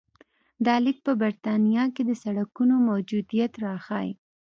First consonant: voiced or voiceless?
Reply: voiced